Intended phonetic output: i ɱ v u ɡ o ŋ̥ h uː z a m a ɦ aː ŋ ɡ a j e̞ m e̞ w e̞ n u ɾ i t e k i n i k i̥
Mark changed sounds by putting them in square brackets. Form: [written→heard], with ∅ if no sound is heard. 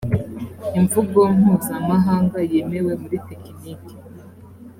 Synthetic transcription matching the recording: i ɱ v u ɡ o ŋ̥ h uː z a m a ɦ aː ŋ ɡ a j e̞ m e̞ w e̞ [n→m] u ɾ i t e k i n i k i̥